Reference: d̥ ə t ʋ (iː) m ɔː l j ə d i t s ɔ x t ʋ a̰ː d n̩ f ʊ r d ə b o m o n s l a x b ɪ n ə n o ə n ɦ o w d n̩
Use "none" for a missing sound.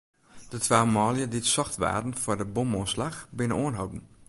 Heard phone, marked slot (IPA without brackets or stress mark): aː